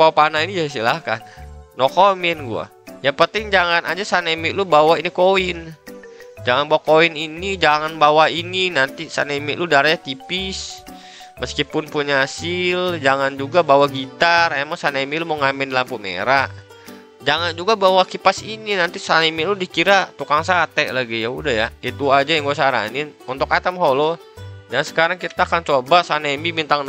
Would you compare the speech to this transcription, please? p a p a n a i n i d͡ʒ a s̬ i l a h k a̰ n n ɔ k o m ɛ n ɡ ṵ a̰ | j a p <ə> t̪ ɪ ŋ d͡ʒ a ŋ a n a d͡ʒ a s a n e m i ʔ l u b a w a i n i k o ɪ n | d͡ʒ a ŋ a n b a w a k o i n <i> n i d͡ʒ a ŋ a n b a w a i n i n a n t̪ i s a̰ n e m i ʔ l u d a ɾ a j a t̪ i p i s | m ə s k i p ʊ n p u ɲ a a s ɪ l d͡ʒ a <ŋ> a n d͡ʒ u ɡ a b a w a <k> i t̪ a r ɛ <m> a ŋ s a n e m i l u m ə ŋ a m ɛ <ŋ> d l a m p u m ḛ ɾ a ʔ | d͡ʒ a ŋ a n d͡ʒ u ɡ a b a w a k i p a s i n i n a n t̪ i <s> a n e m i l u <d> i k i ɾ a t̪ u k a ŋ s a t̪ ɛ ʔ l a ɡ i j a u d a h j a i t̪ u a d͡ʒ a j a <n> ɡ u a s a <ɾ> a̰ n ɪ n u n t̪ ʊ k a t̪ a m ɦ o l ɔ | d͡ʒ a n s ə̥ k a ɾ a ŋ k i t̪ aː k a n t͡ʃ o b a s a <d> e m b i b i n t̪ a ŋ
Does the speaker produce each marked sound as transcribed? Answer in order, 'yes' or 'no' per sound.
yes, yes, yes, no, yes, no, yes, yes, no, yes, no

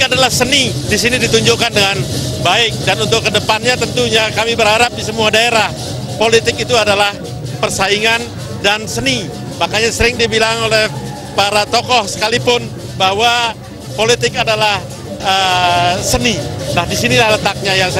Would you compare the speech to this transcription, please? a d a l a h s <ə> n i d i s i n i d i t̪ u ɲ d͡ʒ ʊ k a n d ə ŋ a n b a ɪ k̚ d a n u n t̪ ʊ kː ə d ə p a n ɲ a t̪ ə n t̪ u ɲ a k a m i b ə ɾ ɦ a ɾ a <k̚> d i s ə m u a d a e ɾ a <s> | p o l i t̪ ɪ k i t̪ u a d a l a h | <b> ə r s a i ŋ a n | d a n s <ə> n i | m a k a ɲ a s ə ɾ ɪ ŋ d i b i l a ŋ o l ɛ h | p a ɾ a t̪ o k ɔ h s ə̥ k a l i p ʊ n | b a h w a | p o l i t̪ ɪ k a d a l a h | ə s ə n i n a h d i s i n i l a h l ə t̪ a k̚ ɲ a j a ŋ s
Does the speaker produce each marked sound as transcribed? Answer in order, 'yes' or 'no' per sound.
yes, no, no, no, yes

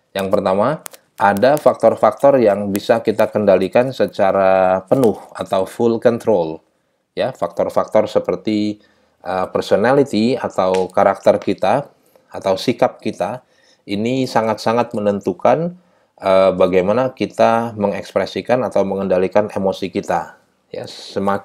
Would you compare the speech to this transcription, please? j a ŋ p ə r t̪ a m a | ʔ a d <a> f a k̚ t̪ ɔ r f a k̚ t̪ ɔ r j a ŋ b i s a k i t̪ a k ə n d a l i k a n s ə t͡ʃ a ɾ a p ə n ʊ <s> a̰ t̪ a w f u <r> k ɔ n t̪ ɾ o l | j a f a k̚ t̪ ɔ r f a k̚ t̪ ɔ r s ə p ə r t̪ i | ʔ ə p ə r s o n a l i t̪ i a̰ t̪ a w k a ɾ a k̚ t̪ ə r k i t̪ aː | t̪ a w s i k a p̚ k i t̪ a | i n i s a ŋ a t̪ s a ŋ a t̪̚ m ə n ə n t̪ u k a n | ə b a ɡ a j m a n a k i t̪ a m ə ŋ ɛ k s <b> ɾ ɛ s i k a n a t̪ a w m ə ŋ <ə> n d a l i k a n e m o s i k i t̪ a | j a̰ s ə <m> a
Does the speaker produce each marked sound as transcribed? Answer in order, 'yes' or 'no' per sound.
yes, no, no, no, yes, yes

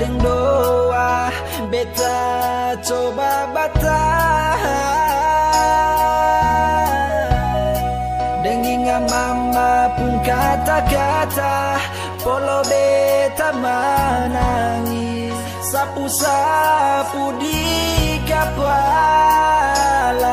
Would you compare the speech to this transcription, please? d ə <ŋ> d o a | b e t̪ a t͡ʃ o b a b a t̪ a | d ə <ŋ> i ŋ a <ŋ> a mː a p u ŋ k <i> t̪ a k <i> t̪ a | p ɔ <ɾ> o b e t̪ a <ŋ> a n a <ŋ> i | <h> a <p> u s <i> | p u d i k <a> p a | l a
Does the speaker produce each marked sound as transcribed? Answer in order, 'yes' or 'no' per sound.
yes, yes, no, no, no, no, no, yes, no, yes, no, yes

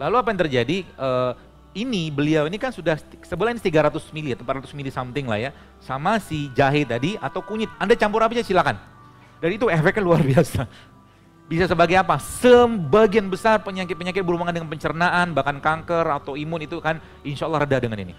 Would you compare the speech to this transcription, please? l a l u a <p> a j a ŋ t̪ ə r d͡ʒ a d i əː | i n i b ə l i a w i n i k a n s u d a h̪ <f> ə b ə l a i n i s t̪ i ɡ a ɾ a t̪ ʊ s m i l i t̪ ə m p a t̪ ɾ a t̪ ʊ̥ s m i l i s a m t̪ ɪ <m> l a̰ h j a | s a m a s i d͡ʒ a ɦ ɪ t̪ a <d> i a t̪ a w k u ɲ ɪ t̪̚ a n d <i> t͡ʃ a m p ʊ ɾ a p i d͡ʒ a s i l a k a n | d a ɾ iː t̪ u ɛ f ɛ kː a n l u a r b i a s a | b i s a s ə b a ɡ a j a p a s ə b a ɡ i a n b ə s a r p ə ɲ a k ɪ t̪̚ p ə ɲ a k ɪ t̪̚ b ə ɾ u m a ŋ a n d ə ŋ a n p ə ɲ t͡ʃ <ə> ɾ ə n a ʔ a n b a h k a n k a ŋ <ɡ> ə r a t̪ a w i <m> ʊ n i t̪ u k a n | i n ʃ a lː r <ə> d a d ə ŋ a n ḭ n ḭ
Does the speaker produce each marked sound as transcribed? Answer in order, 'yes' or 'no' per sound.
yes, no, no, yes, no, yes, no, yes, yes

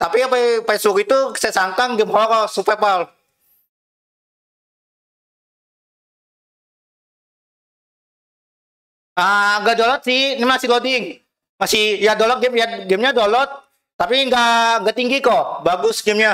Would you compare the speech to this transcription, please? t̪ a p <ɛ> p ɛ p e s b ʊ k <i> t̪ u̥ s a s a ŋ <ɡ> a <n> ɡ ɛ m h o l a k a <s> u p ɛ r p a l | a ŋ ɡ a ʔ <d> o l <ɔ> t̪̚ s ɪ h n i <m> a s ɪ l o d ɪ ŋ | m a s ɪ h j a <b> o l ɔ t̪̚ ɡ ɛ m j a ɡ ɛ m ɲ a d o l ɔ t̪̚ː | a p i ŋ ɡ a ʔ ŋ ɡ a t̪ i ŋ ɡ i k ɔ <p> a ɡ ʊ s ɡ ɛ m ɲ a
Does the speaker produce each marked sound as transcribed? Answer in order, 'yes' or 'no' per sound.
no, yes, no, no, yes, yes, yes, yes, no, no

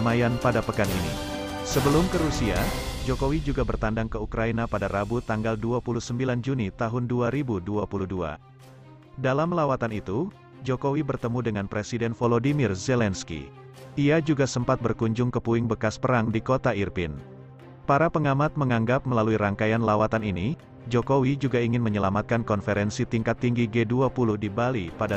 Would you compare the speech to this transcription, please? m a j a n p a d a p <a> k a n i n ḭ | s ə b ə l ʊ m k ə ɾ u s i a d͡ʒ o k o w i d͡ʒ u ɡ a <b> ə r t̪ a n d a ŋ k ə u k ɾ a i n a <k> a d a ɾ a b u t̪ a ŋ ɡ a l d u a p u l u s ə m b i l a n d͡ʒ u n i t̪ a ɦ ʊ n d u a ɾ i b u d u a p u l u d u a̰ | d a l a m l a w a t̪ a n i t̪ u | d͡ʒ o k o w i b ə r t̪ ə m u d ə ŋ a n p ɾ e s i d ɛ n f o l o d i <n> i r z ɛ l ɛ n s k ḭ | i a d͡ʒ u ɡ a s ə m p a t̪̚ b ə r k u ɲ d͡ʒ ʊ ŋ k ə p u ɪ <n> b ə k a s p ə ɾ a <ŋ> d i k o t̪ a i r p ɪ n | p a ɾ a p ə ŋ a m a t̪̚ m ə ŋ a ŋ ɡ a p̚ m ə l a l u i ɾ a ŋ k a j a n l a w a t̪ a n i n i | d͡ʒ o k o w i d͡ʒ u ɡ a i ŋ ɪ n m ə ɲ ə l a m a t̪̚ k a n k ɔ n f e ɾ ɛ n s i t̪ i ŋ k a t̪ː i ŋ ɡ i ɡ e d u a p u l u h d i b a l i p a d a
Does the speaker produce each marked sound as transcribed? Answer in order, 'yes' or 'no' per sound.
no, yes, no, no, no, yes

